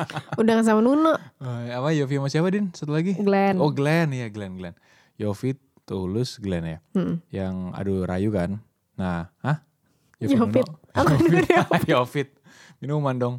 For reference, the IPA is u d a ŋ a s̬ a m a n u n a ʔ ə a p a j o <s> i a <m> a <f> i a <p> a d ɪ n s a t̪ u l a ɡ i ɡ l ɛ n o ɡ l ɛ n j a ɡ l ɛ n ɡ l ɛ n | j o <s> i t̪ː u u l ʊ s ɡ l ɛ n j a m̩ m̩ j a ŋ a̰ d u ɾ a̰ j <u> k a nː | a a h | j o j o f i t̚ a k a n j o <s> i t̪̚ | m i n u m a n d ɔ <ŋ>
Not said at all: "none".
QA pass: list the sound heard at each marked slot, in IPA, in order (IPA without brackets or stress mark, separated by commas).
f, m, s, p, f, u, f, ŋ